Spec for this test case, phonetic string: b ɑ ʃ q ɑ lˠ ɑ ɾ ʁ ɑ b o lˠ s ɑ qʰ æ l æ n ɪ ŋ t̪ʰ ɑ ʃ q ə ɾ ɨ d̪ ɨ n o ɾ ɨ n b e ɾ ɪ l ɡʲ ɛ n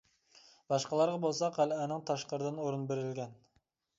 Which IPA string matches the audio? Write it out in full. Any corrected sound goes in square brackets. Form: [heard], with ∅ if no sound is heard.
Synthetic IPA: b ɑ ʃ q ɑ lˠ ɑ ɾ ʁ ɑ b o lˠ s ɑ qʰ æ l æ n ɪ ŋ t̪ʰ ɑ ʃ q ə ɾ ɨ d̪ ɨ n o ɾ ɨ n b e ɾ ɪ l ɡʲ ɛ n

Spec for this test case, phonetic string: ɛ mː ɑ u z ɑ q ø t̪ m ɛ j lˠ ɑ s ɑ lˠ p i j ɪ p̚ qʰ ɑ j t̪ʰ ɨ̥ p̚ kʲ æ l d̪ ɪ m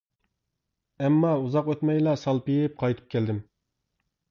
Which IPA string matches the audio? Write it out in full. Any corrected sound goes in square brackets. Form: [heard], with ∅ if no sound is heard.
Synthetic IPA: ɛ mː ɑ u z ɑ q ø t̪ m ɛ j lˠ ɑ s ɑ lˠ p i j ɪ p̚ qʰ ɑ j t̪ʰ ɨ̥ p̚ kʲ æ l d̪ ɪ m

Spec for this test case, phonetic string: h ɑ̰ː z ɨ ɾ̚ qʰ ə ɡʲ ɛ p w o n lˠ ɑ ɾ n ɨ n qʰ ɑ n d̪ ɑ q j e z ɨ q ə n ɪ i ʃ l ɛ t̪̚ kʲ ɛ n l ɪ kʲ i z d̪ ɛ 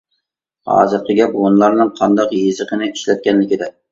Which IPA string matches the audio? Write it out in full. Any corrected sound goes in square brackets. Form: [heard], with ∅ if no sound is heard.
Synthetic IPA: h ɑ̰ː z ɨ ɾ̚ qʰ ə ɡʲ ɛ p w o n lˠ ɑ ɾ n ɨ [ŋ] qʰ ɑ n d̪ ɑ q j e z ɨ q ə n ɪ i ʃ l ɛ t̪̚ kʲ ɛ n l ɪ kʲ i [∅] d̪ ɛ

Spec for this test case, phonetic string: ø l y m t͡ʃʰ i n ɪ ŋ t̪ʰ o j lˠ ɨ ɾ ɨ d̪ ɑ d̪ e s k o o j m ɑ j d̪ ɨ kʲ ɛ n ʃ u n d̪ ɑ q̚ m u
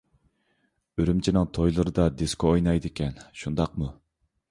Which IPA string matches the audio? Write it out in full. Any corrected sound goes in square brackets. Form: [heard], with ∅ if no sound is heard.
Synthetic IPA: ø [ɾ] y m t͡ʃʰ i n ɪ ŋ t̪ʰ o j lˠ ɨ ɾ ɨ d̪ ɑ d̪ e s k o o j [n] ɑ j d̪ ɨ kʲ ɛ n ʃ u n d̪ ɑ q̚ m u

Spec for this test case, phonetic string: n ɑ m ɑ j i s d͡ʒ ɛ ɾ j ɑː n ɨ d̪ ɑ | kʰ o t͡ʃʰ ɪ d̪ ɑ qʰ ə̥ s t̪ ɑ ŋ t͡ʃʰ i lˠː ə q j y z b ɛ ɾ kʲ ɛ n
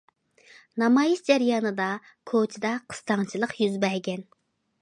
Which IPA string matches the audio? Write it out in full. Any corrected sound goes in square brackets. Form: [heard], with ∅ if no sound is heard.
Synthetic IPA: n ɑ m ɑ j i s d͡ʒ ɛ ɾ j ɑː n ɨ d̪ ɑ | kʰ o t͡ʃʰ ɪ d̪ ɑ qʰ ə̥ s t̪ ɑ ŋ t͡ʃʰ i [lˠ] ə q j y z b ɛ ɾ [ɡʲ] ɛ n

